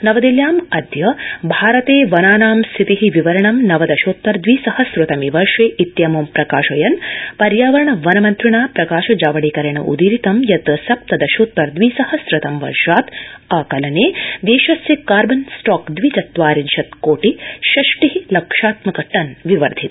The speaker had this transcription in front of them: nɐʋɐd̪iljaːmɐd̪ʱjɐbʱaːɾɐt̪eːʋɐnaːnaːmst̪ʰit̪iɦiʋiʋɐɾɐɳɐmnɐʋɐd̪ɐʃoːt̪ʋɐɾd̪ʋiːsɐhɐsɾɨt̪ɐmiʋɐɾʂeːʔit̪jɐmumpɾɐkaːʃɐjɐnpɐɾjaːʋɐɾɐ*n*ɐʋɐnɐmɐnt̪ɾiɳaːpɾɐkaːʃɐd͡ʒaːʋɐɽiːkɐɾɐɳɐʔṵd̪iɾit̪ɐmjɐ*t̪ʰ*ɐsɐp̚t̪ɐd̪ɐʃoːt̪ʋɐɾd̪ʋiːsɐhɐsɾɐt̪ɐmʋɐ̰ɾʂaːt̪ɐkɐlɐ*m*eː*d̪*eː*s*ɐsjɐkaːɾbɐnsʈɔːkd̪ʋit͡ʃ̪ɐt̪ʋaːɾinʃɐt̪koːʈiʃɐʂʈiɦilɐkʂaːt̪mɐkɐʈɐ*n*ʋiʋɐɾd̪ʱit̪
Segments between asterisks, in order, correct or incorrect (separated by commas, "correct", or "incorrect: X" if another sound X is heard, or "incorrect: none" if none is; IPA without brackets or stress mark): incorrect: ɳ, incorrect: t̪, incorrect: n, correct, incorrect: ʃ, correct